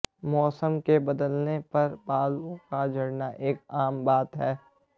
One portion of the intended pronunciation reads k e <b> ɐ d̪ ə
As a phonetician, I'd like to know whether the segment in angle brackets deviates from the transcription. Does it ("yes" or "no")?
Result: no